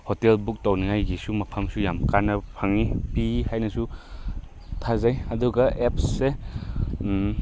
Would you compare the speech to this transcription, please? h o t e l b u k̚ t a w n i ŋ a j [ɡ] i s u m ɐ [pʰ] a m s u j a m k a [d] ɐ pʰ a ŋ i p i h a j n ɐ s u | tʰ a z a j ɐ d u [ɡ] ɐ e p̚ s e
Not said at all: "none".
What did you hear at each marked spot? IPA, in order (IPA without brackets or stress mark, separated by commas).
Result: ɡ, pʰ, n, ɡ